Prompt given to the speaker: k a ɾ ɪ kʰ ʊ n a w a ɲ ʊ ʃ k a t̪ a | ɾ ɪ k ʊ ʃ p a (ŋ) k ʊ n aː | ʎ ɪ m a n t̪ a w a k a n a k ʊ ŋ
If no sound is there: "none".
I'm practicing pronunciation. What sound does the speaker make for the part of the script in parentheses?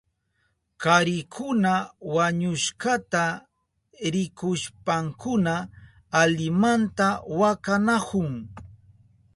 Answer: ŋ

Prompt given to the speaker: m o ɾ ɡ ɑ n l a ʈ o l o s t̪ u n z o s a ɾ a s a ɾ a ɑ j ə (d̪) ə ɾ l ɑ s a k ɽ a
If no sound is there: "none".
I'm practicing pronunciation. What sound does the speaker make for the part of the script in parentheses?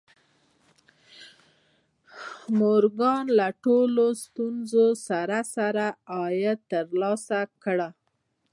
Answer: t̪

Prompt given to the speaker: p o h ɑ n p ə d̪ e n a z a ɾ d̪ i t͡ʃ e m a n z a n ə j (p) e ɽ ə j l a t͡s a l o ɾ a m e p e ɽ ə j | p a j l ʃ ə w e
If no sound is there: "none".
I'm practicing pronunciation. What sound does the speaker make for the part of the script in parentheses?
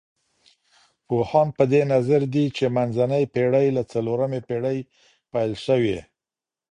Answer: p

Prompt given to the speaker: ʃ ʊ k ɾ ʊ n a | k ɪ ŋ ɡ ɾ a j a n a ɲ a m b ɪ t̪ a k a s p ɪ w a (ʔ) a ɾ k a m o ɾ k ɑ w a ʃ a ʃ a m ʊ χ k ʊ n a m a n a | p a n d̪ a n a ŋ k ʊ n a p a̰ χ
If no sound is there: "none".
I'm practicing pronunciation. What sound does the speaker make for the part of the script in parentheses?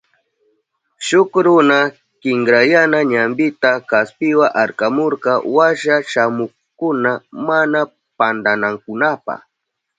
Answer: ʔ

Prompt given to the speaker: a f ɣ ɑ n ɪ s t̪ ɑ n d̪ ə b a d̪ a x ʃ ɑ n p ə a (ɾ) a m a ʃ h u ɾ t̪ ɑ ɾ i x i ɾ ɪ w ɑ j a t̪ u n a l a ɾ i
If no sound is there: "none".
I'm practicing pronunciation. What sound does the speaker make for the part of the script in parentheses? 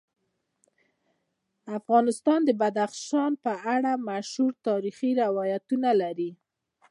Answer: ɽ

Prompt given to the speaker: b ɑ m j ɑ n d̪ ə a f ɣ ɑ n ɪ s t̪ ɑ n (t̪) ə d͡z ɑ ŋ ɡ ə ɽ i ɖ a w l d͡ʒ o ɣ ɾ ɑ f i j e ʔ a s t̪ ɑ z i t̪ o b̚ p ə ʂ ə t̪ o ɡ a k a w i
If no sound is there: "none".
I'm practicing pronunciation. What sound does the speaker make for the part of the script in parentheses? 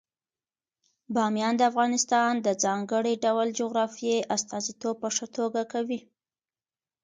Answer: d̪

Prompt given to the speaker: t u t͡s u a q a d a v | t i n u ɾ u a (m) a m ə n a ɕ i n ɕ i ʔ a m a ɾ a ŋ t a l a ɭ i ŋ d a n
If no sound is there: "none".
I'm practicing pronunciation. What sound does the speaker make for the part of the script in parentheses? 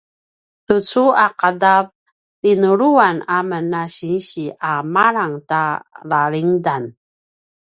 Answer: n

